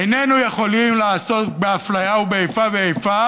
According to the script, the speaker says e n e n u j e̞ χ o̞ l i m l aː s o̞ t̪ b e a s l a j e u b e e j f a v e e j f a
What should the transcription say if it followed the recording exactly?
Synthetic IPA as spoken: e n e n u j e̞ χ o̞ l i m l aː s o̞ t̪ b e a f l a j a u b e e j f a v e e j f a